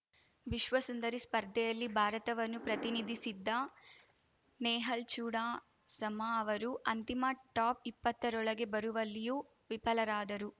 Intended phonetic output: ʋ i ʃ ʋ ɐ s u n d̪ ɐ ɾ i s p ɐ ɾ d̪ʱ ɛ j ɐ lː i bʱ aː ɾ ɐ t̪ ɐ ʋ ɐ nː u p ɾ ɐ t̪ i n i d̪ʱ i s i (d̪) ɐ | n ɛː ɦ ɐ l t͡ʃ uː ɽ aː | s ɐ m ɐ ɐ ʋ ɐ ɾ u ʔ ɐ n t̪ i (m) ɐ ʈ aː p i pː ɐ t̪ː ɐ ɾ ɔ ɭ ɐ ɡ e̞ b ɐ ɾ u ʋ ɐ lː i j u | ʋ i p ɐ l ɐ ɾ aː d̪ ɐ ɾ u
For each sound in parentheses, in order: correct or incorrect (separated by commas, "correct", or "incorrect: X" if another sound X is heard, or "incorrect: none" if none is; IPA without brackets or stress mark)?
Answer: incorrect: d̪ː, correct